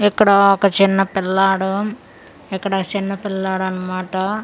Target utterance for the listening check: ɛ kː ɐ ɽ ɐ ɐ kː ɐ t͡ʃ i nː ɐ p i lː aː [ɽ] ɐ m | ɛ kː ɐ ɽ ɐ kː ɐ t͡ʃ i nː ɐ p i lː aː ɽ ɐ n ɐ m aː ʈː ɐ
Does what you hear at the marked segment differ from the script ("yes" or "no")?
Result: no